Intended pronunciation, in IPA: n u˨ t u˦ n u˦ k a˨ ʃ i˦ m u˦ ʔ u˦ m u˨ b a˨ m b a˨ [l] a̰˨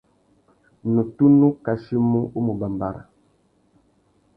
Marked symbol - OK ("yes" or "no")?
no